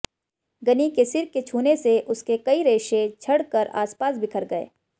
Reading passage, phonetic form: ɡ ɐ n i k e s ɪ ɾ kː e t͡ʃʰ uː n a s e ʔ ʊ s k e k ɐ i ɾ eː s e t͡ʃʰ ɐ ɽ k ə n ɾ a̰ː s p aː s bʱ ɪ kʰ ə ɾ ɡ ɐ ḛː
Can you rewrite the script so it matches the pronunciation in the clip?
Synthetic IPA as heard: ɡ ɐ n i k e s ɪ ɾ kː e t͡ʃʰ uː n e s e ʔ ʊ s k e k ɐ i ɾ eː ʃ e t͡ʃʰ ɐ ɽ k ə ɾ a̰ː s p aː s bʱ ɪ kʰ ə ɾ ɡ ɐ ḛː